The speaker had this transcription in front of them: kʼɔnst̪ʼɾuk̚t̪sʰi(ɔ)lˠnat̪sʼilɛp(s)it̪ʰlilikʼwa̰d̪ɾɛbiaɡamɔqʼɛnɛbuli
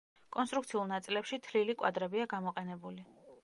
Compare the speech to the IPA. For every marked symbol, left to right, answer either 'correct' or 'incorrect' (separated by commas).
incorrect, incorrect